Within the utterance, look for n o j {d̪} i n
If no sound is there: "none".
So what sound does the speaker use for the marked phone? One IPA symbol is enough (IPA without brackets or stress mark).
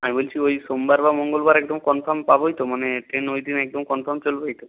d̪